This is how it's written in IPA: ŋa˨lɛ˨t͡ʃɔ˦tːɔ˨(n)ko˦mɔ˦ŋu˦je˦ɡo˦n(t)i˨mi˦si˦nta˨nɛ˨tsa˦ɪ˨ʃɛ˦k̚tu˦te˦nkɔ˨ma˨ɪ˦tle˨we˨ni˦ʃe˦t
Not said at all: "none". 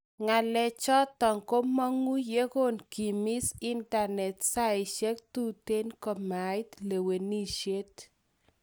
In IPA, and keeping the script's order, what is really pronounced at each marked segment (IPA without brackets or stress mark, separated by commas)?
ŋ, k